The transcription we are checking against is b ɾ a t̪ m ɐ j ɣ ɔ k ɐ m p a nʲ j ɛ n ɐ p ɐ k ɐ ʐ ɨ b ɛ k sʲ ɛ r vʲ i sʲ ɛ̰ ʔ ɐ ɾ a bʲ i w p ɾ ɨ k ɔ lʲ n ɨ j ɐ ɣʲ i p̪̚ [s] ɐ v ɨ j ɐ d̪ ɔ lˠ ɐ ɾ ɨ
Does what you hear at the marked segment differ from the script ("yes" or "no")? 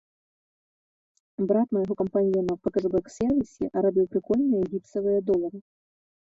no